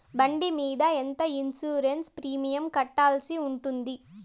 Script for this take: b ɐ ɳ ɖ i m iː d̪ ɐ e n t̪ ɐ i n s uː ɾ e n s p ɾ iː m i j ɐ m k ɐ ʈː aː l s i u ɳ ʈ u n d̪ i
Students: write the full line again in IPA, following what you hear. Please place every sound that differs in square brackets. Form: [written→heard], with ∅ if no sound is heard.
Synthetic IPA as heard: b ɐ ɳ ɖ i m iː d̪ ɐ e n t̪ ɐ i n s uː ɾ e n s p ɾ iː m i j ɐ m k ɐ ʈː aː l s i u ɳ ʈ u n d̪ i

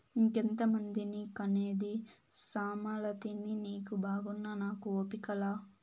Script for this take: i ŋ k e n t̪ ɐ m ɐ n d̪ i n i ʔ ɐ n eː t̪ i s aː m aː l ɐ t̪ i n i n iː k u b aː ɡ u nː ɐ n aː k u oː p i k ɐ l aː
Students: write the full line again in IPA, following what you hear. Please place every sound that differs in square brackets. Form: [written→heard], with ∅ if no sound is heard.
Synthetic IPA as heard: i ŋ k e n t̪ ɐ m ɐ n d̪ i n i [ʔ→k] ɐ n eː [t̪→d̪] i s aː m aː l ɐ t̪ i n i n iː k u b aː ɡ u nː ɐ n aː k u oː p i k ɐ l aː

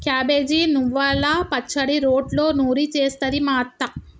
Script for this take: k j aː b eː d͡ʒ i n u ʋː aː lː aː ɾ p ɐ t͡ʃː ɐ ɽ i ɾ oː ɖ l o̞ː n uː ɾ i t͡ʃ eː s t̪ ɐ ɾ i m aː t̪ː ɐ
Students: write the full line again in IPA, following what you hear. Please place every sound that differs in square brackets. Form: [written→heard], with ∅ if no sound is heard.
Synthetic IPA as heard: k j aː b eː d͡ʒ i n u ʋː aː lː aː [ɾ→∅] p ɐ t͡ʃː ɐ ɽ i ɾ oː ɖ l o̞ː n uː ɾ i t͡ʃ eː s t̪ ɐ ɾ i m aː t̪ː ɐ

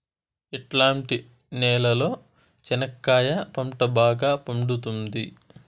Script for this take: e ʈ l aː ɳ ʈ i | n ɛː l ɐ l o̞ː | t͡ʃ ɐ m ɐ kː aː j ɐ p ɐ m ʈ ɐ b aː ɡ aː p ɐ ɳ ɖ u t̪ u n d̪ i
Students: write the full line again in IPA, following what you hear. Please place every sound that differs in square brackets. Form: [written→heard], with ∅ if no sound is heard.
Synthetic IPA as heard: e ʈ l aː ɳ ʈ i | n ɛː l ɐ l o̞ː | t͡ʃ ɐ [m→n] ɐ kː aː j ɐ p ɐ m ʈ ɐ b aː ɡ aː p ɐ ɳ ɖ u t̪ u n d̪ i

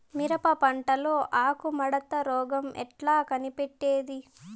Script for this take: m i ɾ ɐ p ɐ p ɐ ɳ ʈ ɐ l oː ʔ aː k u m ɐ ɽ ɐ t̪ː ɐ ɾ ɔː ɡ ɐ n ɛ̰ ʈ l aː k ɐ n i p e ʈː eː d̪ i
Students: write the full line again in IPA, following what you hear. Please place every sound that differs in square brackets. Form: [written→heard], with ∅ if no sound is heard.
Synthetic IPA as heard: m i ɾ ɐ p ɐ p ɐ ɳ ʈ ɐ l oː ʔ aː k u m ɐ ɽ ɐ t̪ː ɐ ɾ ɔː ɡ ɐ [n→m] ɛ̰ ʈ l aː k ɐ n i p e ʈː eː d̪ i

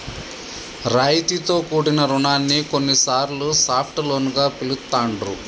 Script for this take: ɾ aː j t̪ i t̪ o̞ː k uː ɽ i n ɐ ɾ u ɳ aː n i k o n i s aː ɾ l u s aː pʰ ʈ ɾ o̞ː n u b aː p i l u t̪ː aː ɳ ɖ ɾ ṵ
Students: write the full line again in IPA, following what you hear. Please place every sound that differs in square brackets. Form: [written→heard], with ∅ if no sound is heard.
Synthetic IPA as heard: ɾ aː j t̪ i t̪ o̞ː k uː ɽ i n ɐ ɾ u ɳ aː [n→nː] i k o [n→nː] i s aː ɾ l u s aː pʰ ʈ [ɾ→l] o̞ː n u [b→ɡ] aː p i l u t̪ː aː ɳ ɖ ɾ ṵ

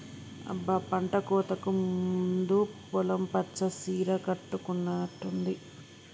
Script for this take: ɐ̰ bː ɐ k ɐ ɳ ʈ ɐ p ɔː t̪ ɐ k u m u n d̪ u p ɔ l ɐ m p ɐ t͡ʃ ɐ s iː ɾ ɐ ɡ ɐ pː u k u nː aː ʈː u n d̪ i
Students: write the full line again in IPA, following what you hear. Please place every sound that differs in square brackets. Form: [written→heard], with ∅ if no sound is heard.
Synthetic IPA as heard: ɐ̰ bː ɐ [k→p] ɐ ɳ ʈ ɐ [p→k] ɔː t̪ ɐ k u m u n d̪ u p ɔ l ɐ m p ɐ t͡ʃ ɐ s iː ɾ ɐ [ɡ→k] ɐ [pː→ʈː] u k u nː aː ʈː u n d̪ i

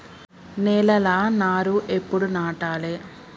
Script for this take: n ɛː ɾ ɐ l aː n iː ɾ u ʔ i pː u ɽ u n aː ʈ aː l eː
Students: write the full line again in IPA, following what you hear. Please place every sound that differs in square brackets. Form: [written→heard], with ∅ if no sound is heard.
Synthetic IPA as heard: n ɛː [ɾ→l] ɐ l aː n [iː→aː] ɾ u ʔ [i→e] pː u ɽ u n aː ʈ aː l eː

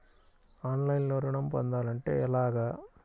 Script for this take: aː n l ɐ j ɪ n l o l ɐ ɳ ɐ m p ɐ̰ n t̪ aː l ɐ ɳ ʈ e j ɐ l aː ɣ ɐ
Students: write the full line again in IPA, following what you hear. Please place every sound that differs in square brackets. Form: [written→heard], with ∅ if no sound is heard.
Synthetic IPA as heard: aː n l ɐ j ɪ n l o [l→ɾ] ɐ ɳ ɐ m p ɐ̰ n [t̪→d̪] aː l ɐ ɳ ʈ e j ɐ l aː ɣ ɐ

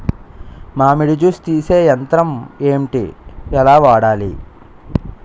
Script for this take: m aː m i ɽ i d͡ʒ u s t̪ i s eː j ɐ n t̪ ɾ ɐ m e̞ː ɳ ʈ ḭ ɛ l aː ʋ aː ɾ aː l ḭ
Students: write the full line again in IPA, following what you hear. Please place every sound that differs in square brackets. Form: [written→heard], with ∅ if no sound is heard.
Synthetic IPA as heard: m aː m i ɽ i d͡ʒ u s t̪ [i→iː] s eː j ɐ n t̪ ɾ ɐ m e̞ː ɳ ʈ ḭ ɛ l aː ʋ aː [ɾ→ɽ] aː l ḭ

